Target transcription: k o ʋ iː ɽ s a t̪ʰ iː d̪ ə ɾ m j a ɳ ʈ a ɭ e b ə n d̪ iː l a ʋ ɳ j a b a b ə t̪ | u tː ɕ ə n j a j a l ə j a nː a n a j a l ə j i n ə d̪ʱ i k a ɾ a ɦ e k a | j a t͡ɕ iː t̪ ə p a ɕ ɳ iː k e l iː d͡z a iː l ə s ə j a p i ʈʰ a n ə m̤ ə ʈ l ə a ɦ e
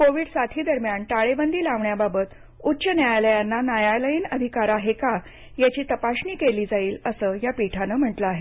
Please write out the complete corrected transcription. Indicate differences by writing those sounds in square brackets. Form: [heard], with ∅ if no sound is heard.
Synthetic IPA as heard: k o ʋ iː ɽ s a t̪ʰ iː d̪ ə ɾ m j a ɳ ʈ a ɭ e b ə n d̪ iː l a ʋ ɳ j a b a b ə t̪ | u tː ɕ ə n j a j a l ə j a nː a n a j a l ə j i n ə d̪ʱ i k a ɾ a ɦ e k a | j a t͡ɕ iː t̪ ə p a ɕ ɳ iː k e l iː d͡z a iː l ə s ə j a p i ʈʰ a n ə m̤ ə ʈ l ə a ɦ e

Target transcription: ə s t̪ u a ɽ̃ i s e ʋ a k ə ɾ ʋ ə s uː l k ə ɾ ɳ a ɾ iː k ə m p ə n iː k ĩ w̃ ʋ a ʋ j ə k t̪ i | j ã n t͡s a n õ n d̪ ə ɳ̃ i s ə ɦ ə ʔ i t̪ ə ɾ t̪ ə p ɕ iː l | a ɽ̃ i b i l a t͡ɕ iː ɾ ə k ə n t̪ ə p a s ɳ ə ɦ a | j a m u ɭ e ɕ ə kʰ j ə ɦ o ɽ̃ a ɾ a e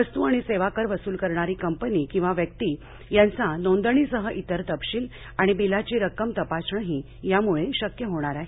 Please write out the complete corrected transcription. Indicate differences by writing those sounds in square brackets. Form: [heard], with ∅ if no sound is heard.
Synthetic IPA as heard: ə s t̪ u a ɽ̃ i s e ʋ a k ə ɾ ʋ ə s uː l k ə ɾ ɳ a ɾ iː k ə m p ə n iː k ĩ w̃ ʋ a ʋ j ə k t̪ i | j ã n t͡s a n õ n d̪ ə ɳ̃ i s ə ɦ ə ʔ i t̪ ə ɾ t̪ ə p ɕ iː l | a ɽ̃ i b i l a t͡ɕ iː ɾ ə k ə [m] t̪ ə p a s ɳ ə ɦ [i] | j a m u ɭ e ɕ ə [k] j ə ɦ o ɽ̃ a ɾ a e

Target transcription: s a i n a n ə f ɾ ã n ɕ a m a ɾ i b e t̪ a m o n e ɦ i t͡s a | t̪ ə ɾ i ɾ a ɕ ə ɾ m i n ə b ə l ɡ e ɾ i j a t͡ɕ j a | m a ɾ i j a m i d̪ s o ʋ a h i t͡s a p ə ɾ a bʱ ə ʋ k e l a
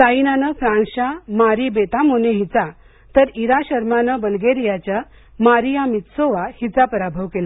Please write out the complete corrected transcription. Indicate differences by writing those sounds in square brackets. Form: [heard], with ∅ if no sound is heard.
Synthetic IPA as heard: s a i n a n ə f ɾ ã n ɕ a m a ɾ i b e t̪ a m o n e ɦ i t͡s a | t̪ ə ɾ i ɾ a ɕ ə ɾ m [a] n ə b ə l ɡ e ɾ i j a t͡ɕ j a | m a ɾ i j a m i [t̪] s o ʋ a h i t͡s a p ə ɾ a bʱ ə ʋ k e l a

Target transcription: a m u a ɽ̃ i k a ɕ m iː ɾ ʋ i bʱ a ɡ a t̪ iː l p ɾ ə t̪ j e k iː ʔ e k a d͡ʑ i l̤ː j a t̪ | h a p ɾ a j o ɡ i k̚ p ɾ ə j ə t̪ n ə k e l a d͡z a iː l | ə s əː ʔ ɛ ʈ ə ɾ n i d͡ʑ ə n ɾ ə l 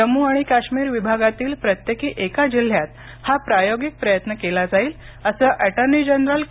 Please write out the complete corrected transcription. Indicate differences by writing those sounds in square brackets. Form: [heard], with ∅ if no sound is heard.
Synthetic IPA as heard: [ə] m u a ɽ̃ i k a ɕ m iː ɾ ʋ i bʱ a ɡ a t̪ iː l p ɾ ə t̪ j e k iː ʔ e k a d͡ʑ i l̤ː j a t̪ | h a p ɾ a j o ɡ i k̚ p ɾ ə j ə t̪ n ə k e l a d͡z a iː l | ə s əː ʔ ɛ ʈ ə ɾ n i d͡ʑ ə n ɾ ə l

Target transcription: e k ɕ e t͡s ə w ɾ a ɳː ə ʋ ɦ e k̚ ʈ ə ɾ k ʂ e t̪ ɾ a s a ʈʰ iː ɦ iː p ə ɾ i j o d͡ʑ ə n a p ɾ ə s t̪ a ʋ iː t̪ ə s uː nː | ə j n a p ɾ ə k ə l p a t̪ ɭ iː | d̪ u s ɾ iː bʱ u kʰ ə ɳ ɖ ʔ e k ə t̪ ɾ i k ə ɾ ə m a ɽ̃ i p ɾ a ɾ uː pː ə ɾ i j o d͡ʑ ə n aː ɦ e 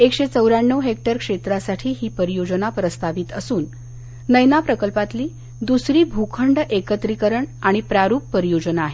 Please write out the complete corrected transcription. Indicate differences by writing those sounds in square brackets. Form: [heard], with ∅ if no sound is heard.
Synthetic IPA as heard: e k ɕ e t͡s ə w ɾ a ɳː ə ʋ ɦ e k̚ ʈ ə ɾ k ʂ e t̪ ɾ a s a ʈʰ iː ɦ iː p ə ɾ i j o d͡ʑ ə n a p ɾ ə s t̪ a ʋ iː t̪ ə s uː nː | ə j n a p ɾ ə k ə l p a t̪ [l] iː | d̪ u s ɾ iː bʱ u kʰ ə ɳ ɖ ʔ e k ə t̪ ɾ i k ə ɾ ə [ɳ] a ɽ̃ i p ɾ a ɾ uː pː ə ɾ i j o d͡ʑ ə n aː ɦ e

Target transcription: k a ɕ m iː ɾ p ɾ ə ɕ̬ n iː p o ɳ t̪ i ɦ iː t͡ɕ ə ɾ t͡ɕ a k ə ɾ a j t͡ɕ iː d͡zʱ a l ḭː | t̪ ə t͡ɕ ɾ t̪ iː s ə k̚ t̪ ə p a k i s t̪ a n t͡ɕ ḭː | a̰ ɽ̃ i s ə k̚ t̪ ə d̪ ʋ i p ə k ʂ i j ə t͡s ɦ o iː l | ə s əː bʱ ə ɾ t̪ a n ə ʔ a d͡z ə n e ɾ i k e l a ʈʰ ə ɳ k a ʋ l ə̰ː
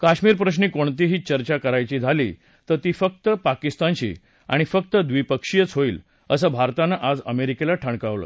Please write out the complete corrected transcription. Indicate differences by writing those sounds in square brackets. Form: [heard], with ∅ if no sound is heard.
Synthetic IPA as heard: k a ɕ m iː ɾ p ɾ ə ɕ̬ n iː [k] o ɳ t̪ i ɦ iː t͡ɕ ə ɾ t͡ɕ a k ə ɾ a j t͡ɕ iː d͡zʱ a l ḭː | t̪ ə [∅] ɾ t̪ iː [f] ə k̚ t̪ ə p a k i s t̪ a n t͡ɕ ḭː | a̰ ɽ̃ i [f] ə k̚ t̪ ə d̪ ʋ i p ə k ʂ i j ə t͡s ɦ o iː l | ə s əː bʱ [a] ɾ t̪ a n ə ʔ a d͡z ə [m] e ɾ i k e l a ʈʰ ə ɳ k a ʋ l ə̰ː

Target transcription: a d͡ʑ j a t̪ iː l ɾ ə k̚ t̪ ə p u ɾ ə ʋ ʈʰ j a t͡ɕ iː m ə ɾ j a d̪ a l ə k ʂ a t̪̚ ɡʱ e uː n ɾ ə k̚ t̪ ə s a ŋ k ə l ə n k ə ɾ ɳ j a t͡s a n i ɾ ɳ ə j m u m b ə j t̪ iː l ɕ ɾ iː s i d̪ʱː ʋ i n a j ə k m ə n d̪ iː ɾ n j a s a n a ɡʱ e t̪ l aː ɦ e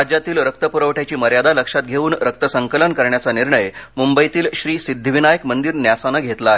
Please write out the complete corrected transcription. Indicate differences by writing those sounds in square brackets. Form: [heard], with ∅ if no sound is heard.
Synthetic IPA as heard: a d͡ʑ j a t̪ iː l ɾ ə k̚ t̪ ə p u ɾ ə ʋ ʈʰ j a t͡ɕ iː m ə ɾ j a d̪ a l ə k ʂ a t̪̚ ɡʱ e uː n ɾ ə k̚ t̪ ə s [ə] ŋ k ə l ə n k ə ɾ ɳ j a t͡s a n i ɾ ɳ ə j m u m b ə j t̪ iː l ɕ ɾ iː s i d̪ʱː ʋ i n a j ə k m ə n d̪ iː ɾ n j a s a n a ɡʱ e t̪ l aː ɦ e

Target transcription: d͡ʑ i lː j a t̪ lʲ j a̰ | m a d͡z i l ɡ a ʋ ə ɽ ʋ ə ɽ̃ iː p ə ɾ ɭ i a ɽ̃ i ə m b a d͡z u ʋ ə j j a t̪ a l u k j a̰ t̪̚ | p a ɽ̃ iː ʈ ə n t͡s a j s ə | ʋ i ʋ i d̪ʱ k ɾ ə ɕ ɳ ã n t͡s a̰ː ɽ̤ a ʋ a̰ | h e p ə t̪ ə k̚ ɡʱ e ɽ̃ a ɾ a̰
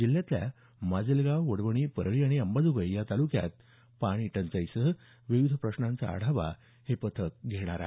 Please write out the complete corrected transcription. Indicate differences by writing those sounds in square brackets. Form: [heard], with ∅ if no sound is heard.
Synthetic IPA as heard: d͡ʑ i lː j a t̪ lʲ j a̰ | m a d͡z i l ɡ a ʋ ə ɽ ʋ ə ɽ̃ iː p ə ɾ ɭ i a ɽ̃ i ə m b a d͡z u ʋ ə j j a t̪ a l u k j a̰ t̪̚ | p a ɽ̃ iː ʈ ə n t͡s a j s ə | ʋ i ʋ i d̪ʱ [p] ɾ ə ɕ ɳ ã n t͡s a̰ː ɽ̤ a ʋ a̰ | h e p ə [t̪ʰ] ə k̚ ɡʱ e ɽ̃ a ɾ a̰

